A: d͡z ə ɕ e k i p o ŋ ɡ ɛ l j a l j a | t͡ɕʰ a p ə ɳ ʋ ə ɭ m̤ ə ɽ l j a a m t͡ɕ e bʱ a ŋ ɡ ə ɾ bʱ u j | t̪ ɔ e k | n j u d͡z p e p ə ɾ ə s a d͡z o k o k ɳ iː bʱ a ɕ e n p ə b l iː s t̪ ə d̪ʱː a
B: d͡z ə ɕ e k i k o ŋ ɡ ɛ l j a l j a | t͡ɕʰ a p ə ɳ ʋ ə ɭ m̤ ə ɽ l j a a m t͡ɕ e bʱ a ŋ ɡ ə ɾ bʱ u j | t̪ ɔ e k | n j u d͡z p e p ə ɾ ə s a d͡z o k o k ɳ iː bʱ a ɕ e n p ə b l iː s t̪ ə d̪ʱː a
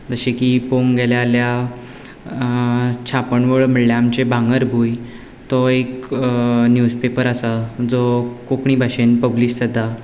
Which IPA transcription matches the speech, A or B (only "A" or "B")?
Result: A